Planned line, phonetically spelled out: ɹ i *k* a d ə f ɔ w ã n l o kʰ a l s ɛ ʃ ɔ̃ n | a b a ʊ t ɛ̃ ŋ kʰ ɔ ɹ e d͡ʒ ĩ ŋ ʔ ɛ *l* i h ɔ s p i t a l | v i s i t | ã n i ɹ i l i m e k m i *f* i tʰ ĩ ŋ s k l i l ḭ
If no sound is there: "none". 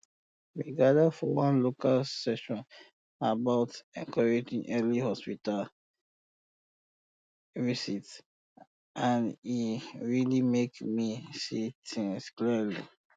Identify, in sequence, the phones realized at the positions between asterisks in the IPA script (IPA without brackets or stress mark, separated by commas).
ɡ, l, s